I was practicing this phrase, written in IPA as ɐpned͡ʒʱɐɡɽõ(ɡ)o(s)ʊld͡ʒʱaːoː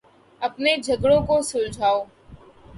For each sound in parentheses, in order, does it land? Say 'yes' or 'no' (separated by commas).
no, yes